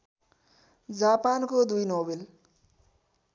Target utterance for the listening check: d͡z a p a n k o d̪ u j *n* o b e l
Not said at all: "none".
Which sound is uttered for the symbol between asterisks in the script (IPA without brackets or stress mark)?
n